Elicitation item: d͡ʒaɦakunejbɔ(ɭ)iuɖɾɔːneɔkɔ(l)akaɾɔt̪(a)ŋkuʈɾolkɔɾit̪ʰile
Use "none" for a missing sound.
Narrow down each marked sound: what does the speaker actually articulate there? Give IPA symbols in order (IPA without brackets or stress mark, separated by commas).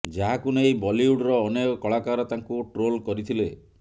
l, ɭ, a